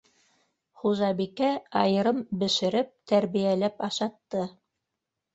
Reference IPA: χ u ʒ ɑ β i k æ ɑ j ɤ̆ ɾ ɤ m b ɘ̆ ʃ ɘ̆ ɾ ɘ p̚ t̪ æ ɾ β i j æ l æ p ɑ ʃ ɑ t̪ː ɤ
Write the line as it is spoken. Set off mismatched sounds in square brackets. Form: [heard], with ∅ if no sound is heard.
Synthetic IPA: χ u ʒ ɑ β i k æ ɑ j ɤ̆ ɾ ɤ m b ɘ̆ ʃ ɘ̆ ɾ ɘ p̚ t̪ æ ɾ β i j æ l æ p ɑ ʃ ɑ t̪ː ɤ